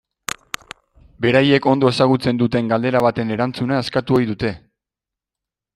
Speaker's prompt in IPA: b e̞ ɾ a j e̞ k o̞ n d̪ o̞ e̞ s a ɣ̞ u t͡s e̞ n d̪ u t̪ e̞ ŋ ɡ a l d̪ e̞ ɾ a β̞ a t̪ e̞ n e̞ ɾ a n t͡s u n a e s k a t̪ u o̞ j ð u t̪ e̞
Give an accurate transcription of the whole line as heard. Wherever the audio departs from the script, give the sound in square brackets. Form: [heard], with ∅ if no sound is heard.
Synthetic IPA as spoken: b e̞ ɾ a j e̞ k o̞ n d̪ o̞ e̞ s a ɣ̞ u t͡s e̞ n d̪ u t̪ e̞ ŋ ɡ a l d̪ e̞ ɾ a β̞ a t̪ e̞ n e̞ ɾ a n t͡s u n a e s k a t̪ u o̞ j ð u t̪ e̞